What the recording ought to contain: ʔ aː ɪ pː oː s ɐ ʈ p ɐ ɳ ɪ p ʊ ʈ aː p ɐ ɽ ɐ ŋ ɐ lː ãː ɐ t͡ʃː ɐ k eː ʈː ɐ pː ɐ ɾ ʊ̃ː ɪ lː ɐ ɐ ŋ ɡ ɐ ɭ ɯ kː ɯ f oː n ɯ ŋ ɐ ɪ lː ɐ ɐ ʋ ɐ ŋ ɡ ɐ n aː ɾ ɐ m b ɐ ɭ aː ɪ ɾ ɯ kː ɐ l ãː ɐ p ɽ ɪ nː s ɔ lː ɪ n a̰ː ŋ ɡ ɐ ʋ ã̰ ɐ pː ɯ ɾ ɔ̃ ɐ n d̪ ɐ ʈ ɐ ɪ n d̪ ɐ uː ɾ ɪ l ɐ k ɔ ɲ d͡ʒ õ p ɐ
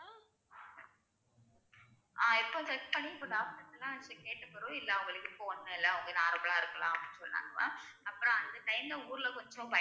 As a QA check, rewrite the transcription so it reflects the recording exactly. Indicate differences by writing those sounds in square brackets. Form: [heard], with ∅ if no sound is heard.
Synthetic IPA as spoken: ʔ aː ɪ pː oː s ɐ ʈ p ɐ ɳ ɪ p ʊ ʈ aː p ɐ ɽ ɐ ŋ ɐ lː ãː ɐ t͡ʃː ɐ k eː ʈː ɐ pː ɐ ɾ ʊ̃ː ɪ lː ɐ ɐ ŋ ɡ ɐ ɭ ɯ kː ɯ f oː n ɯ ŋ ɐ ɪ lː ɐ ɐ ʋ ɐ ŋ ɡ ɐ n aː ɾ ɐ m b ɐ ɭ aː ɪ ɾ ɯ kː ɐ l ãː ɐ p ɽ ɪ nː s ɔ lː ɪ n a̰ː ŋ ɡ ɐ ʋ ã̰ ɐ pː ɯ ɾ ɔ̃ ɐ n d̪ ɐ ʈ ɐ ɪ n d̪ ɐ uː ɾ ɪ l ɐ k ɔ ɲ d͡ʒ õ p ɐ